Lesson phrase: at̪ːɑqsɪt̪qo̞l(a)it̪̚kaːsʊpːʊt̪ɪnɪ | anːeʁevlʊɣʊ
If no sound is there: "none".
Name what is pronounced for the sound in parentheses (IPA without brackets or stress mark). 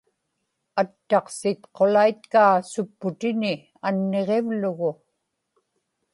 a